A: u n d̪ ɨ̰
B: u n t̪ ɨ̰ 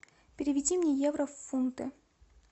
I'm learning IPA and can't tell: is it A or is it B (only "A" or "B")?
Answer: B